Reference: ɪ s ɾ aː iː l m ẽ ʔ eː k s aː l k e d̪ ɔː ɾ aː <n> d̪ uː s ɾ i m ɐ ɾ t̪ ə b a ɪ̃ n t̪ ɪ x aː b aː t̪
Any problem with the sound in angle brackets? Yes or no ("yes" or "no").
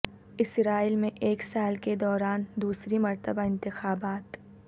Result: no